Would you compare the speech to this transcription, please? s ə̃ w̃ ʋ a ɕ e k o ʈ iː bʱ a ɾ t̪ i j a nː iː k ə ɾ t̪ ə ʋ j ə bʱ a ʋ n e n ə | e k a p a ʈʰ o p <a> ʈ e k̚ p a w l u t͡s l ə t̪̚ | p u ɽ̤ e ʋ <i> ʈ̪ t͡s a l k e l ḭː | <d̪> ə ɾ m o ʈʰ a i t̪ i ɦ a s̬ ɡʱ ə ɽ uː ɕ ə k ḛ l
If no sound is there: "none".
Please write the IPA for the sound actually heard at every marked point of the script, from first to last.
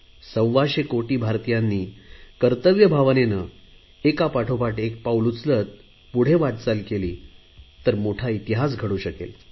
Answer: a, a, t̪

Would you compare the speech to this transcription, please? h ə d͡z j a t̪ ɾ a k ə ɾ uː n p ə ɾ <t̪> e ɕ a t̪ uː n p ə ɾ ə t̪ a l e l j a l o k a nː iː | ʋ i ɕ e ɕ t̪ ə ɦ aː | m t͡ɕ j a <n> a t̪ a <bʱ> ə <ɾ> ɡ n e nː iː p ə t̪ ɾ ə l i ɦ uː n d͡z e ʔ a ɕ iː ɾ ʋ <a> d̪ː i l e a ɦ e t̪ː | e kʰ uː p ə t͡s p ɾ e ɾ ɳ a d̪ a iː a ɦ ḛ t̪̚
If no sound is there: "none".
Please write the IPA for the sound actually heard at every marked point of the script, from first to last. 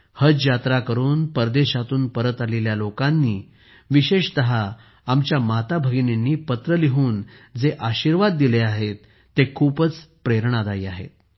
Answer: d̪, m, bʱ, none, a

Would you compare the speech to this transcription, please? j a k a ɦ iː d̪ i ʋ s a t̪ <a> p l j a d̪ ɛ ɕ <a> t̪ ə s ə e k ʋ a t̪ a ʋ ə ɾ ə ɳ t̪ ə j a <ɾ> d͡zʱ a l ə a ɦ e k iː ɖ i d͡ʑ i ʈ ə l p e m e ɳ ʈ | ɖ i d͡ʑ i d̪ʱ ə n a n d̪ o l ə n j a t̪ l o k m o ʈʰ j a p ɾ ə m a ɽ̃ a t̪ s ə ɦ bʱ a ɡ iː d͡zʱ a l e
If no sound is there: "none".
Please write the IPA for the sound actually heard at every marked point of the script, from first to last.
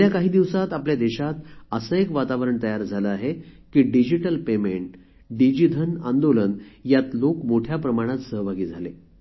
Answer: a, a, ɾ

